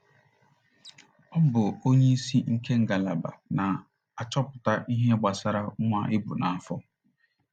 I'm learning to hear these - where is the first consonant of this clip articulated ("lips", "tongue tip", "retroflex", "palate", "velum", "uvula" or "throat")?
lips